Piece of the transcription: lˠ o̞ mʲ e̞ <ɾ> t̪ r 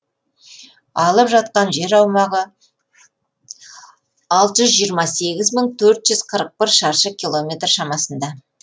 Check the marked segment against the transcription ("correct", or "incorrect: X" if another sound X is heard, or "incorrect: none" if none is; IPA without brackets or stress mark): incorrect: none